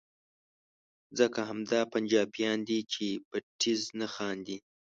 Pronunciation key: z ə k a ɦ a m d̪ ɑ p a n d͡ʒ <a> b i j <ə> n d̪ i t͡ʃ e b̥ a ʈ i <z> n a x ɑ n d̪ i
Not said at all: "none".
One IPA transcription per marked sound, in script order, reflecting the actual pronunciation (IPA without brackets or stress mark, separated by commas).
ɑ, ɑ, z